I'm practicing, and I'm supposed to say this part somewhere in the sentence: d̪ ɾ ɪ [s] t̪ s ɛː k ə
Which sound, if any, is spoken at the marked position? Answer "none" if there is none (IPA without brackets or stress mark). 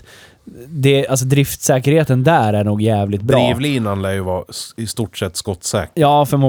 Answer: f